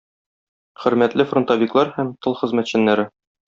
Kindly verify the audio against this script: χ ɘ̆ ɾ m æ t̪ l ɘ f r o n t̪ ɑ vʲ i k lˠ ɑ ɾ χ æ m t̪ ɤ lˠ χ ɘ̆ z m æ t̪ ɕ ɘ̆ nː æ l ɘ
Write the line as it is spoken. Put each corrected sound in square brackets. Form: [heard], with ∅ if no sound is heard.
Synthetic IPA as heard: χ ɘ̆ ɾ m æ t̪ l ɘ f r o n t̪ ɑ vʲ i k lˠ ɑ ɾ [h] æ m t̪ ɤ lˠ χ ɘ̆ z m æ t̪ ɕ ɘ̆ nː æ [ɾ] ɘ